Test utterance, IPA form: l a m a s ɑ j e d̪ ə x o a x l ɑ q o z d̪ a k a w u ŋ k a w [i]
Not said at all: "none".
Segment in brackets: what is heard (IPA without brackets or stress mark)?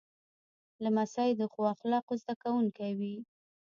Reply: i